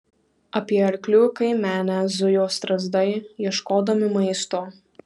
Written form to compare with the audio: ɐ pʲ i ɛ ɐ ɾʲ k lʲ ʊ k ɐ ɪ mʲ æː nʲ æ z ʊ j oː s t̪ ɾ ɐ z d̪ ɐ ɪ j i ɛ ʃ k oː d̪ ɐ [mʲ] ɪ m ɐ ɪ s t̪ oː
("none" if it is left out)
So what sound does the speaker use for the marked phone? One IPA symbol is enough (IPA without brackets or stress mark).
mʲ